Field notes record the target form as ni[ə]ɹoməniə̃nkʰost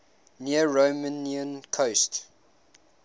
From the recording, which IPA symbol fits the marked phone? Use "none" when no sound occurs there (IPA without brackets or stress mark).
ə